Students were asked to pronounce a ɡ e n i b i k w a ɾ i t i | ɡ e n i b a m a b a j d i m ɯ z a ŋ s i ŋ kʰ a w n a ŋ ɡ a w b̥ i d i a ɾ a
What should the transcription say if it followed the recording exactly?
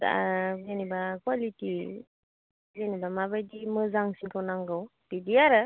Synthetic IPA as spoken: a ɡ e n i b a k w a l i t i | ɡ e n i b a m a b a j d i m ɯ z a ŋ s i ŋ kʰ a w n a ŋ ɡ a w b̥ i d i a ɾ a